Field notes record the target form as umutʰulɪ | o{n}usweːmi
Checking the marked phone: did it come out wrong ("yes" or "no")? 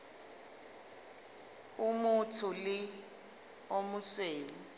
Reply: yes